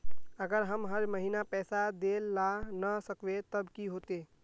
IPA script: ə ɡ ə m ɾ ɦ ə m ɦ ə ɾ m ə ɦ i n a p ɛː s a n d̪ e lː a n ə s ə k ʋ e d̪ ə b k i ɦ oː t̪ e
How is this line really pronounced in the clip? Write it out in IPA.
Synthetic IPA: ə ɡ ə ɾ ɦ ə m ɦ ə ɾ m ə ɦ i n a p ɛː s a d̪ e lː a n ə s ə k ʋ e t̪ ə b k i ɦ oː t̪ e